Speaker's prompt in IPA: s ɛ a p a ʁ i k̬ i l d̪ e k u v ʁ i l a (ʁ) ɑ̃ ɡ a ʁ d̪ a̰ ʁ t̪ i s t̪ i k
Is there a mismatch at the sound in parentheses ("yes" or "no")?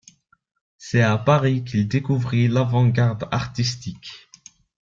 yes